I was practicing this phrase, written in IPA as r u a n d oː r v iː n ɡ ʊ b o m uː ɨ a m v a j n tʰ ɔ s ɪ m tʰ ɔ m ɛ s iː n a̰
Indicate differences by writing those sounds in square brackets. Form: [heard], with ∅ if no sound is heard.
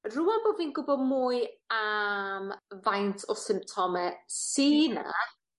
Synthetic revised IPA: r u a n [b] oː [∅] v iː n ɡ ʊ b [ɔ] m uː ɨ a m v a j n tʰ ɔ s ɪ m tʰ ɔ m ɛ s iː n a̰